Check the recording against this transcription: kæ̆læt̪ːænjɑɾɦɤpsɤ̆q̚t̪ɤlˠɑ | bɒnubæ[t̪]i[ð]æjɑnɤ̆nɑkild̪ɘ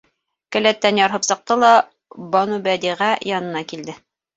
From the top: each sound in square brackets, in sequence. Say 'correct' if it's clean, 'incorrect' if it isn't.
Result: incorrect, incorrect

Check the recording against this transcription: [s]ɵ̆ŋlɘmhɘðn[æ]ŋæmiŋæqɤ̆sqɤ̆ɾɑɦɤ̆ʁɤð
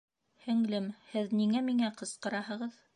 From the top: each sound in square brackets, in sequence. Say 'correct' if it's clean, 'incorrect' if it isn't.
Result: incorrect, incorrect

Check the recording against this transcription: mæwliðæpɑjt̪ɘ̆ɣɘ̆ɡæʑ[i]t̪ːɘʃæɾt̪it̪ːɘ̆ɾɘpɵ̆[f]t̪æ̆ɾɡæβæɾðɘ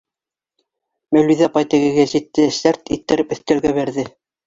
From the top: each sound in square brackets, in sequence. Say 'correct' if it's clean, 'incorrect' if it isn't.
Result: correct, incorrect

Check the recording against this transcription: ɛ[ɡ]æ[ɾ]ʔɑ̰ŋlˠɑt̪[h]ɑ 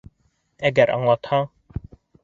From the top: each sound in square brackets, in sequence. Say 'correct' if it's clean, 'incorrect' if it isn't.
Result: correct, correct, correct

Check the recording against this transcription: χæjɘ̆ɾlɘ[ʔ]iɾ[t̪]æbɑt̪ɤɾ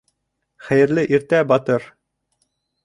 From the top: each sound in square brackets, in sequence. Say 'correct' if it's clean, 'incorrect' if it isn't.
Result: correct, correct

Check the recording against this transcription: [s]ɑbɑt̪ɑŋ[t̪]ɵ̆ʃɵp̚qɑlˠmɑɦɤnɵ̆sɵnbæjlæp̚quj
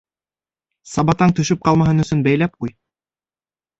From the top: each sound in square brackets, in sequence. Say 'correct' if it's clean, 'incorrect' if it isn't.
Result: correct, correct

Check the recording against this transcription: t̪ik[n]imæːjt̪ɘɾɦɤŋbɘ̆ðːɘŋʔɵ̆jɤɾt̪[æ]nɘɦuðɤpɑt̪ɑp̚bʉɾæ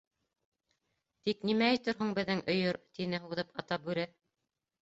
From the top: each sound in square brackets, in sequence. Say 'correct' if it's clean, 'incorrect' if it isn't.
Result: correct, incorrect

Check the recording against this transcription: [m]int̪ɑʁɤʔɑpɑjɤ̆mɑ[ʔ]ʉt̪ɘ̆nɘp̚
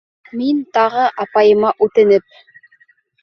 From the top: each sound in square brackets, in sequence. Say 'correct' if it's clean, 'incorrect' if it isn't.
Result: correct, correct

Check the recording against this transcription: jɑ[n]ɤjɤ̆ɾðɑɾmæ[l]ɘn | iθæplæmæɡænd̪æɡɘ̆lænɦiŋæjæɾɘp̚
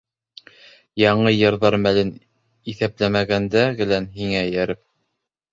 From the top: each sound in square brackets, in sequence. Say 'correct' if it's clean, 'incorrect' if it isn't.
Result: incorrect, correct

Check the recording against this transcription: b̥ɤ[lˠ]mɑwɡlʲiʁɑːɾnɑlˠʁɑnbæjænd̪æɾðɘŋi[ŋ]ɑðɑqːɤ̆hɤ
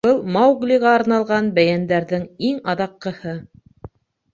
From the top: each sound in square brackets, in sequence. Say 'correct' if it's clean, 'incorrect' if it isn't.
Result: correct, correct

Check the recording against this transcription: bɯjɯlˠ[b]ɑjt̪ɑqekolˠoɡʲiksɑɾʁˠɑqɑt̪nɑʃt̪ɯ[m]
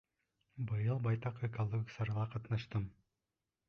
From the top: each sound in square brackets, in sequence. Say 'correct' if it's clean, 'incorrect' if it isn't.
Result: correct, correct

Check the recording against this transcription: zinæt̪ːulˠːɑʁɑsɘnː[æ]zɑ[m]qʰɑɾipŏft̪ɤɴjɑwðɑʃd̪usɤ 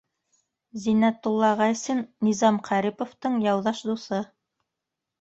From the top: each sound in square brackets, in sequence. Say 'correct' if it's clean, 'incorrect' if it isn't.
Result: incorrect, correct

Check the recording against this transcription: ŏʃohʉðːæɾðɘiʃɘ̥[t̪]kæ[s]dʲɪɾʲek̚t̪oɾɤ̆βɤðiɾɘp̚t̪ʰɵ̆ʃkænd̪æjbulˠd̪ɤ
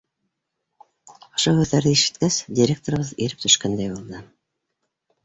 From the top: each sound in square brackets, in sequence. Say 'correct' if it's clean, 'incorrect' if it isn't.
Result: correct, correct

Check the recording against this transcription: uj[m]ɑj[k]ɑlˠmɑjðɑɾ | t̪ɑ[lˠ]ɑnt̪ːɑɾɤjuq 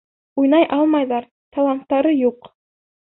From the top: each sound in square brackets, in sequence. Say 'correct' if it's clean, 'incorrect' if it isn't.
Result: incorrect, incorrect, correct

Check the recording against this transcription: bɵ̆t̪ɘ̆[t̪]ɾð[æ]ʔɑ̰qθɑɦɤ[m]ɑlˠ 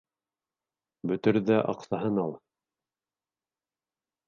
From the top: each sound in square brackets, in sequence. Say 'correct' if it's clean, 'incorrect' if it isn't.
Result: incorrect, correct, incorrect

